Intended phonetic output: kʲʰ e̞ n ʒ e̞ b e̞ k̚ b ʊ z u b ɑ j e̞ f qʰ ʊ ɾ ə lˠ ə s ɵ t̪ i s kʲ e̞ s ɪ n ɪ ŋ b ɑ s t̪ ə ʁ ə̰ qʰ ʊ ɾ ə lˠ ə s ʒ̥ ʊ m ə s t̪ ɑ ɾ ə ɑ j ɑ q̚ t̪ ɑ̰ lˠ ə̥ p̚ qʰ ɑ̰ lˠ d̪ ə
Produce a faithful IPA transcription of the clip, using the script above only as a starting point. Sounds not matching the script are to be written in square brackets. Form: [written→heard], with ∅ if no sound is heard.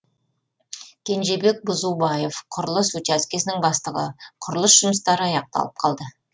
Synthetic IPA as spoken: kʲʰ e̞ n ʒ e̞ b e̞ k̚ b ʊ z u b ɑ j e̞ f qʰ ʊ ɾ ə lˠ ə s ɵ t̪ [i→æ] s kʲ e̞ s ɪ n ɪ ŋ b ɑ s t̪ ə ʁ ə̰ qʰ ʊ ɾ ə lˠ ə s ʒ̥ ʊ m ə s t̪ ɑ ɾ ə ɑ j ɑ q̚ t̪ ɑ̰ lˠ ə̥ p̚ qʰ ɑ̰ lˠ d̪ ə